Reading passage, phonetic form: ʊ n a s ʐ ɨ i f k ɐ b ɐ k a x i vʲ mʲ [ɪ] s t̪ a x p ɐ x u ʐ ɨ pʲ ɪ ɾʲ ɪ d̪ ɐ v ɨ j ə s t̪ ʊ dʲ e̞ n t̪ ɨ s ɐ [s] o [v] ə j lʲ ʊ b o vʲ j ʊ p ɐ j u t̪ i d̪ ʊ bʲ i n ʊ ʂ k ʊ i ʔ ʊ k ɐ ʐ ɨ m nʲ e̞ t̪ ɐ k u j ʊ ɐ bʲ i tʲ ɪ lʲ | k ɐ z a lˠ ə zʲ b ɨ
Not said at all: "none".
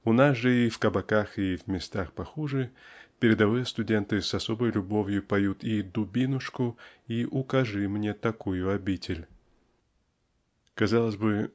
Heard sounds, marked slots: ɪ, s, b

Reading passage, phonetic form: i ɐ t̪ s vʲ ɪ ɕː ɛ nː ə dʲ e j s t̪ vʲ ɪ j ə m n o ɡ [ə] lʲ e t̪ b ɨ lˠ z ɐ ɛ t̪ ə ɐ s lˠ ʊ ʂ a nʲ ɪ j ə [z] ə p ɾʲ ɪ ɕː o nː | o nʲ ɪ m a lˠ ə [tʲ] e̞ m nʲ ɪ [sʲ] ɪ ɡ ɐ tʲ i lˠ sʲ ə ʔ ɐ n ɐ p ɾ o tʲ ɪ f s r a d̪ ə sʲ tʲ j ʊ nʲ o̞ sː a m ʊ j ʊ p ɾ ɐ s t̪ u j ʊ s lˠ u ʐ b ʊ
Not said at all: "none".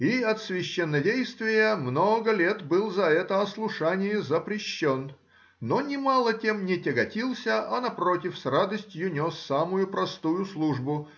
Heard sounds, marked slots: ə, z, tʲ, tʲ

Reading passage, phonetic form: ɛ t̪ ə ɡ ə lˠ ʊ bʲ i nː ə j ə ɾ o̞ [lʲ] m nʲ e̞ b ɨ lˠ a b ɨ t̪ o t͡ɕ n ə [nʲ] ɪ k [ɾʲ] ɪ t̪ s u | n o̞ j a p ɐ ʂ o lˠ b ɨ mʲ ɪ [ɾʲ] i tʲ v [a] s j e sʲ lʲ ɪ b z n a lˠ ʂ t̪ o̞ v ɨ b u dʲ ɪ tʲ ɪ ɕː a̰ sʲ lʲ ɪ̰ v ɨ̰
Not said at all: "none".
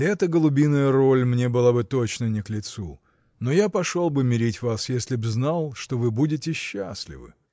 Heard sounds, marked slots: lʲ, nʲ, lʲ, ɾʲ, a

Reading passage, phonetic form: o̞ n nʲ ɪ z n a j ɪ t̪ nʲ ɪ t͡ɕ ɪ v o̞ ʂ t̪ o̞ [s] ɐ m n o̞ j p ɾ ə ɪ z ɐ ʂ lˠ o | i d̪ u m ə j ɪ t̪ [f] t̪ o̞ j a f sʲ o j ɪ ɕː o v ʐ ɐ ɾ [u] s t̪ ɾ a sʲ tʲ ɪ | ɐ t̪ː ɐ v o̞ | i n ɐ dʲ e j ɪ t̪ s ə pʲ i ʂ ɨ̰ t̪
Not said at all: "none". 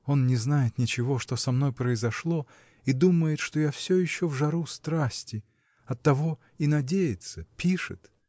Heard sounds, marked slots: s, ʂ, u

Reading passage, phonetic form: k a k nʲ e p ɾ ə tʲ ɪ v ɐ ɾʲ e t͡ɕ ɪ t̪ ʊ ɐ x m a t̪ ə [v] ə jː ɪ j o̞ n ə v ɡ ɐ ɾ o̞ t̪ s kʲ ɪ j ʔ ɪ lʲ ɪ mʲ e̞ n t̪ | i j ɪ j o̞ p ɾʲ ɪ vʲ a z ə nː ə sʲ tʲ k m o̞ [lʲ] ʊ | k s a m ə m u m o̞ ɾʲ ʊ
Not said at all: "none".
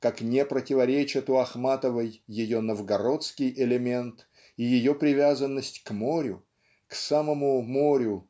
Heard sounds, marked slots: v, ɾʲ

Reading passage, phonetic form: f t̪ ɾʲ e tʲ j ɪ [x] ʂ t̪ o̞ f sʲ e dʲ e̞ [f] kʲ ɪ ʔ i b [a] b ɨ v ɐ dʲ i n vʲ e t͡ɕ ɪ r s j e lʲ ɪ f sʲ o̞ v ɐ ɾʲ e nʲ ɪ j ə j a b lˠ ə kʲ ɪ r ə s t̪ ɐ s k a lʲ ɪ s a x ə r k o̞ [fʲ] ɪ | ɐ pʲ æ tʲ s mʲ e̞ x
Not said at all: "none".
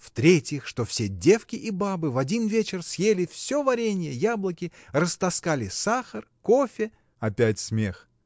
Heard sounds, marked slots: x, f, a, fʲ

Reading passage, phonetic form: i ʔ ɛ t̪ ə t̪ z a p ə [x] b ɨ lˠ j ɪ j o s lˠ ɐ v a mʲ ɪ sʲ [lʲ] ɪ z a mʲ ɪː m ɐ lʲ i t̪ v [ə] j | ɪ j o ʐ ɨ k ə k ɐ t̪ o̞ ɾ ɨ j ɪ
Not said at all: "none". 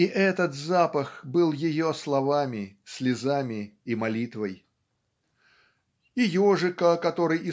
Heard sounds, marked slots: x, lʲ, ə

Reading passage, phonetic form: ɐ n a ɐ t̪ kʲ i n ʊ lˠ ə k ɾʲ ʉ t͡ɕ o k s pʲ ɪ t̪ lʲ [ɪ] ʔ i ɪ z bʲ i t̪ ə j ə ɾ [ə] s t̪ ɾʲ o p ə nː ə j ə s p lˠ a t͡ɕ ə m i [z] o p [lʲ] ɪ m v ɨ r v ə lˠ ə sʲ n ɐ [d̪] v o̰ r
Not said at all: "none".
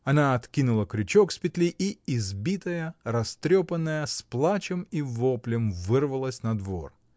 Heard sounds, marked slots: i, ɐ, v, lʲ, d̪

